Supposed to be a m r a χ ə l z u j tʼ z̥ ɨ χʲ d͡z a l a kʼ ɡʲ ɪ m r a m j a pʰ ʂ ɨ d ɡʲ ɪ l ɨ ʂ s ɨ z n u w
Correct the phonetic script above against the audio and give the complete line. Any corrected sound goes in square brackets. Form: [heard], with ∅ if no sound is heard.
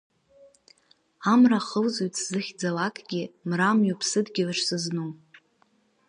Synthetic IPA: a m r a χ ə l z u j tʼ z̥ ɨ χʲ d͡z a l a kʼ ɡʲ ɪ m r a m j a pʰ [s] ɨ d ɡʲ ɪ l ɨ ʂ s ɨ z n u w